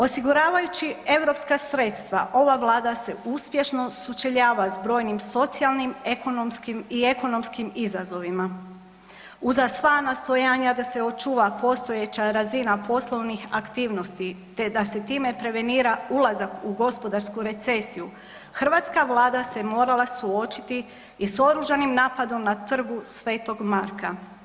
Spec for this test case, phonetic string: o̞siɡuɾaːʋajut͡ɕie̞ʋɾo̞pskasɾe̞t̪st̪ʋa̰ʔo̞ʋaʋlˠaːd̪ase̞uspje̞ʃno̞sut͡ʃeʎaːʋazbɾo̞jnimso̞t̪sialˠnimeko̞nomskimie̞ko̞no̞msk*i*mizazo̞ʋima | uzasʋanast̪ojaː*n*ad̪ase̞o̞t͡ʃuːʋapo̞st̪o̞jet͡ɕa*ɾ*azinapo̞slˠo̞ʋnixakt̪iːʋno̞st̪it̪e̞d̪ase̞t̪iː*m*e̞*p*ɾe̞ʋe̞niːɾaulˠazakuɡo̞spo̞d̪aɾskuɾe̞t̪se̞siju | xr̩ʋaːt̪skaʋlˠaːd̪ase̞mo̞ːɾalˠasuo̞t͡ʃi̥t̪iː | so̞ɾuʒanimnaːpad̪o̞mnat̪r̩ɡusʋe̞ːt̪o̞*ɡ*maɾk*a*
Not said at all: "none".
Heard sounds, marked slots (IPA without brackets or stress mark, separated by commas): i, ɲ, ɾ, m, p, ɡ, a